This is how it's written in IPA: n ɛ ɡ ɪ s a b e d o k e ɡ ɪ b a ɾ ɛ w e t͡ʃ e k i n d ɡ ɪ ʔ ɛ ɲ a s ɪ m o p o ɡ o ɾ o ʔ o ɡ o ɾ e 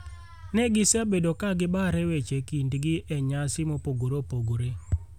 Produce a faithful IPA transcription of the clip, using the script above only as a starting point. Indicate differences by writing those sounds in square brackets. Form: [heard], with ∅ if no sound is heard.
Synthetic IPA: n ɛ ɡ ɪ s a b e d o k [a] ɡ ɪ b a ɾ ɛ w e t͡ʃ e k i n d ɡ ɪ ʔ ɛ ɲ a s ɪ m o p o ɡ o ɾ o [p] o ɡ o ɾ e